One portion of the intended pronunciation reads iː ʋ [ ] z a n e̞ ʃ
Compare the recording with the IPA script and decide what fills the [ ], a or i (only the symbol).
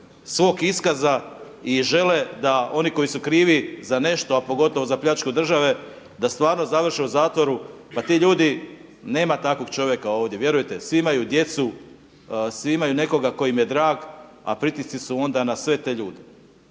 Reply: i